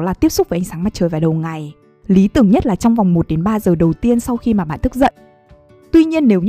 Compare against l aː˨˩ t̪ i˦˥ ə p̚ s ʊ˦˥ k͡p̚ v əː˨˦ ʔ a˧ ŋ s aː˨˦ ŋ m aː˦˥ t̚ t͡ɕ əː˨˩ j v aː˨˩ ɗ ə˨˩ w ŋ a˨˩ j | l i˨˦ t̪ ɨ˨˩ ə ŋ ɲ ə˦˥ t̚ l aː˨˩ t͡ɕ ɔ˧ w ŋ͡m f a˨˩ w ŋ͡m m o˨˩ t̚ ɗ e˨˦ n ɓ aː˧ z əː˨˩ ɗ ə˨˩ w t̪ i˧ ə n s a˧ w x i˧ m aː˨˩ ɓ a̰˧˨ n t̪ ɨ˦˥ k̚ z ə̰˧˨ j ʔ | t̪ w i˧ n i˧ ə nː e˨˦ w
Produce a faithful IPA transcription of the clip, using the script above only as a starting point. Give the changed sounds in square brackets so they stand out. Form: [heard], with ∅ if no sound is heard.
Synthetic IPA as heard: l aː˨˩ t̪ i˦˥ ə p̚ s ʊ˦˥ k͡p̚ v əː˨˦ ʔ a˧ ŋ s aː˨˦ ŋ m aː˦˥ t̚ t͡ɕ əː˨˩ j v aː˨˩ ɗ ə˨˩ w ŋ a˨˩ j | l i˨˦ t̪ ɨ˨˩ ə ŋ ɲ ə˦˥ t̚ l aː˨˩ t͡ɕ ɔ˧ w ŋ͡m [v] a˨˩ w ŋ͡m m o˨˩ t̚ ɗ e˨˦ n ɓ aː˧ z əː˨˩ ɗ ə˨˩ w t̪ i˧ ə n s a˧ w x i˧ m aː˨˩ ɓ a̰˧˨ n t̪ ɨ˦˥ k̚ z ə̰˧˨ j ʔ | t̪ w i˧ [ɲ] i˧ ə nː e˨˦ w